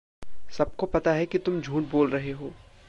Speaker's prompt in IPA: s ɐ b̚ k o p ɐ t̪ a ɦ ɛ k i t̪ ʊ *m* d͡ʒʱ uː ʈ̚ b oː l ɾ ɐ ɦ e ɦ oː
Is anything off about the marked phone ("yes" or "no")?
no